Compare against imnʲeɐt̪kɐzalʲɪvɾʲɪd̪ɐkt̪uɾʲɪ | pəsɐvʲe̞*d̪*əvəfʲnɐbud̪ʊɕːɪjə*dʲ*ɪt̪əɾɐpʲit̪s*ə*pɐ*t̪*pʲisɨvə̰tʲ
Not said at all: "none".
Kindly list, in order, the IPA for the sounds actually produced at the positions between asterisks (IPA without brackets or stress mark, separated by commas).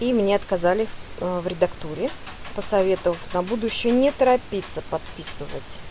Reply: t̪, nʲ, ə, t̪